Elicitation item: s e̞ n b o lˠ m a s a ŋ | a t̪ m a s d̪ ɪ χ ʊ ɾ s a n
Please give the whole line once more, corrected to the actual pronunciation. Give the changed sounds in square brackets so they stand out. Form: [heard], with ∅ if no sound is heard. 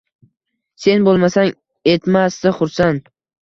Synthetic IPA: s e̞ n b o lˠ m a s a ŋ | [e] t̪ m a s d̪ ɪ χ ʊ ɾ s a n